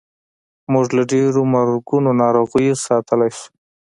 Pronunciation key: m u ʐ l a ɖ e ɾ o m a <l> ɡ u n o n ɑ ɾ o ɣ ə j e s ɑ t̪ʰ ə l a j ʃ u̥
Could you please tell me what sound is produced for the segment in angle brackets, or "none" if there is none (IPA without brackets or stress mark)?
ɾ